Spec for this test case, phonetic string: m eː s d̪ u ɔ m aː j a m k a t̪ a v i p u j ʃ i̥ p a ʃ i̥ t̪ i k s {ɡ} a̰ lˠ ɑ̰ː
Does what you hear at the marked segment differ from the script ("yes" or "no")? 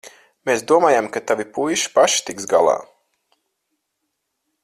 no